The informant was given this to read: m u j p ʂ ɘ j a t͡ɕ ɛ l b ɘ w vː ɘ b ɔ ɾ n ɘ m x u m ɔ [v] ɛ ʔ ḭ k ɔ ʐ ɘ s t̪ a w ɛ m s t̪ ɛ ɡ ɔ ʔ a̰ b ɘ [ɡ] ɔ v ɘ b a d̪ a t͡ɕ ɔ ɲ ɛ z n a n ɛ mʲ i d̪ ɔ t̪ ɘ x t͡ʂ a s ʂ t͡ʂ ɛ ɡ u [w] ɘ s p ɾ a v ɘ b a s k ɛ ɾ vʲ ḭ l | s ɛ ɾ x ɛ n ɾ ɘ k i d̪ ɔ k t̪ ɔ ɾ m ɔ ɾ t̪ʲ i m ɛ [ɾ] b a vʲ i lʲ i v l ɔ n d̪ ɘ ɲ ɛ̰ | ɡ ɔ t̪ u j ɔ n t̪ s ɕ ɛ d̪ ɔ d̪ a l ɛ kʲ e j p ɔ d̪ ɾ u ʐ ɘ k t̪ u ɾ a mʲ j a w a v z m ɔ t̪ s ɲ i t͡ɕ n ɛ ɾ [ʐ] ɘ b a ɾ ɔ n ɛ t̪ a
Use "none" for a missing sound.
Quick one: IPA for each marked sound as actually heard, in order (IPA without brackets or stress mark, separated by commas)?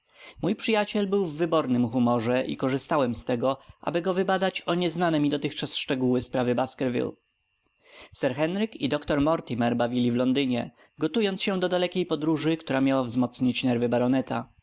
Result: ʐ, ɡ, w, ɾ, v